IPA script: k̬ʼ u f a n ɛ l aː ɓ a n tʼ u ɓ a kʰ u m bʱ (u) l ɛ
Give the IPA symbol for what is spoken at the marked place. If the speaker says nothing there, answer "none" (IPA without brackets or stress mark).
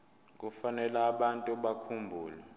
uː